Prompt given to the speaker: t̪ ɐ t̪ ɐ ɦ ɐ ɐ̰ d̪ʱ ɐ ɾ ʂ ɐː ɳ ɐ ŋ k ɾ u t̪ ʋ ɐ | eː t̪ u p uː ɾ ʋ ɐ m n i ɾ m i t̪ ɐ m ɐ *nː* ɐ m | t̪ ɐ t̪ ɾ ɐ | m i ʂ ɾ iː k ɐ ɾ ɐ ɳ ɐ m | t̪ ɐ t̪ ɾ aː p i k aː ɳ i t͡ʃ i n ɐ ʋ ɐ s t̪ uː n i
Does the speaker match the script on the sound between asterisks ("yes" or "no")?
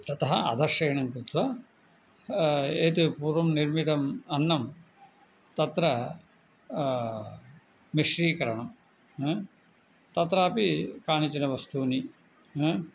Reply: yes